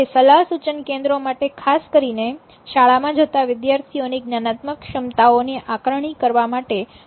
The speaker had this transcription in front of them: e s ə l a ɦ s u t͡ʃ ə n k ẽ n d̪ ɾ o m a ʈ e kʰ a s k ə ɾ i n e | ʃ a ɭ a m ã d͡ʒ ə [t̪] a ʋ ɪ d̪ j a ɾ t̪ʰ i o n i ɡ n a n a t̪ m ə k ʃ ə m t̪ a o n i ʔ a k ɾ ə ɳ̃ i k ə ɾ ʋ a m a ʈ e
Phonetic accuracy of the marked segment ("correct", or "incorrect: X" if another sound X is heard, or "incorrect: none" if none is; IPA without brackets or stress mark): correct